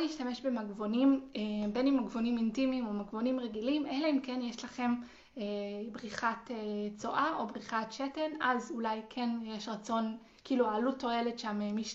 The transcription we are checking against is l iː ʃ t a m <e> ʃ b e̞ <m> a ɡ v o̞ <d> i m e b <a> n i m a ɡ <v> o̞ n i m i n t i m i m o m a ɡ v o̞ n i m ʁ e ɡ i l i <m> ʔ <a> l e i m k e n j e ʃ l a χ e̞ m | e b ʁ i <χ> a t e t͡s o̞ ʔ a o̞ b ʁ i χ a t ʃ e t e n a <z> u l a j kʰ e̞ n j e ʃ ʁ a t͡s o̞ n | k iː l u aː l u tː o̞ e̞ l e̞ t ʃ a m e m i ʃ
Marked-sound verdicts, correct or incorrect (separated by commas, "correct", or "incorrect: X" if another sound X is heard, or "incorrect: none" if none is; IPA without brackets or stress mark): correct, correct, incorrect: n, incorrect: e, correct, correct, incorrect: e, correct, correct